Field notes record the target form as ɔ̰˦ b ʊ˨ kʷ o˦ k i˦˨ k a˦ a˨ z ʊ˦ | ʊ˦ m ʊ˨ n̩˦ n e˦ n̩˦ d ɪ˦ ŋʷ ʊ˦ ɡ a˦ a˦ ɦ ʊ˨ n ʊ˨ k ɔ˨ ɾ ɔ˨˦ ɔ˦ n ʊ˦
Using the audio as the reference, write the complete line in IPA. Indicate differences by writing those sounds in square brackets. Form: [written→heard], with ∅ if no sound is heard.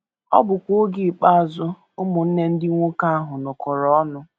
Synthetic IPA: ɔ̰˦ b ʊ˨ kʷ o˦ [k→ɡ] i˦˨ [k→k͡p] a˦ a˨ z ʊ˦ | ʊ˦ m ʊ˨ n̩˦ n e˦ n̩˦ d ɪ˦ ŋʷ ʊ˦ [ɡ→k] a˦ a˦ ɦ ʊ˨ n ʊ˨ k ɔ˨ ɾ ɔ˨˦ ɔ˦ n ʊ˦